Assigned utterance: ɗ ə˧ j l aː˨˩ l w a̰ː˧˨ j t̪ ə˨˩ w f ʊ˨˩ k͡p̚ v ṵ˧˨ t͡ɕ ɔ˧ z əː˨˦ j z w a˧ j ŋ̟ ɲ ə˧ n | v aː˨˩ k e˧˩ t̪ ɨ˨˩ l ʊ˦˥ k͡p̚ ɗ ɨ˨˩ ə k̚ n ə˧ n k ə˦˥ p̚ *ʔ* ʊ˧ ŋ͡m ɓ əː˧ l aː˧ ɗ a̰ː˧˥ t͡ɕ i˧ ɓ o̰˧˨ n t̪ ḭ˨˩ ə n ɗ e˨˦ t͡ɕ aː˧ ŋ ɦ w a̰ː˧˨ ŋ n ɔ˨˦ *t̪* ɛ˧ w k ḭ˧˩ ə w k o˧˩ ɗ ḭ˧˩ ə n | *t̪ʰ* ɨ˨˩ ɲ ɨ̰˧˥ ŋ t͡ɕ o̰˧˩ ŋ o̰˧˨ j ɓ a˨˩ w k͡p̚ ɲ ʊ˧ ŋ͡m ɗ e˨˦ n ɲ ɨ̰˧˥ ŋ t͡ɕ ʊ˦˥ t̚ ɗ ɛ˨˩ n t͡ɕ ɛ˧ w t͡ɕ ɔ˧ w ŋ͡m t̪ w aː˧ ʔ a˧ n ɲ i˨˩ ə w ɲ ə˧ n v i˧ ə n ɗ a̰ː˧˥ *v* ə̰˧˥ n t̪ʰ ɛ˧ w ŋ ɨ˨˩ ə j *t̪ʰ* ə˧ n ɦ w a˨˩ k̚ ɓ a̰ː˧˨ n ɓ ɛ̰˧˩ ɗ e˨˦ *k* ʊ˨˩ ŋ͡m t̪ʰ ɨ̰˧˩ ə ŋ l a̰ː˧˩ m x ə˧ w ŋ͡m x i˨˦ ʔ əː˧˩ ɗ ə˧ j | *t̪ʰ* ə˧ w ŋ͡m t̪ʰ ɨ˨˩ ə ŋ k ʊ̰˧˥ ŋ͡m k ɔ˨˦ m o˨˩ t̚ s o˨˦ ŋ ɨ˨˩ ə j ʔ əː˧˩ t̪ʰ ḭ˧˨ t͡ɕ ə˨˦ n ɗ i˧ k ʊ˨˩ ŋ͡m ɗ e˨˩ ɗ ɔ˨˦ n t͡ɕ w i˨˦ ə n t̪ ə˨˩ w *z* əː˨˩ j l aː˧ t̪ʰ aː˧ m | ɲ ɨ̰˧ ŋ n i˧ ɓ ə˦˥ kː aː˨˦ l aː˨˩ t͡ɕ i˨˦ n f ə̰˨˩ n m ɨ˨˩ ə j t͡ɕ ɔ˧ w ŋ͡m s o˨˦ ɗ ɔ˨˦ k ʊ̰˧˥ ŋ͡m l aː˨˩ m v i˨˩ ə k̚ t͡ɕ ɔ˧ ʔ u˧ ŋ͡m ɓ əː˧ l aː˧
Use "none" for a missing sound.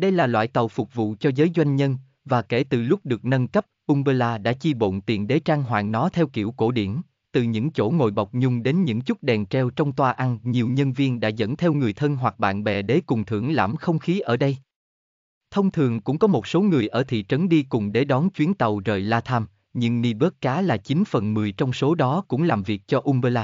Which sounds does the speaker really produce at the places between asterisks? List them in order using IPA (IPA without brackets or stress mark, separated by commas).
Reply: ʔ, t̪ʰ, t̪, z, t̪ʰ, k, t̪ʰ, z